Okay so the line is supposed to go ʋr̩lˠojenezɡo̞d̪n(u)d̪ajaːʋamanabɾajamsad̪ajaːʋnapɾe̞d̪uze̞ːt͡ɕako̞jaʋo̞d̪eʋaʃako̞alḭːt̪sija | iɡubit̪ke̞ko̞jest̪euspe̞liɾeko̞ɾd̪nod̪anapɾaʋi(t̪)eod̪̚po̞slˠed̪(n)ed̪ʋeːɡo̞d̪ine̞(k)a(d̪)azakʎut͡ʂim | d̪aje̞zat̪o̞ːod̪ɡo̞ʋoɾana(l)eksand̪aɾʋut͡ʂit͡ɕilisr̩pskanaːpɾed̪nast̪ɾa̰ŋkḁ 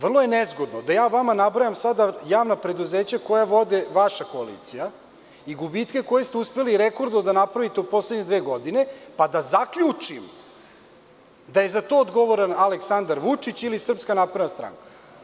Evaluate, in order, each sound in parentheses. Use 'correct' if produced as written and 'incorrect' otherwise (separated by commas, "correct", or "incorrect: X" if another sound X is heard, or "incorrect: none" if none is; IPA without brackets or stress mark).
incorrect: o, correct, incorrect: ɲ, incorrect: p, correct, correct